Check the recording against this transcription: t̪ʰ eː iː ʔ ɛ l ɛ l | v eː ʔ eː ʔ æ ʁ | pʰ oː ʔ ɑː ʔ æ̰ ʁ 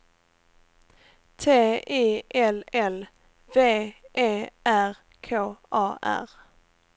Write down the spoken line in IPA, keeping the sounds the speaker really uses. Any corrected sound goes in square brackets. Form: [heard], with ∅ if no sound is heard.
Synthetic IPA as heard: t̪ʰ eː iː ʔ ɛ l ɛ l | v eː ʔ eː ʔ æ ʁ | [kʰ] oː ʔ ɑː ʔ æ̰ ʁ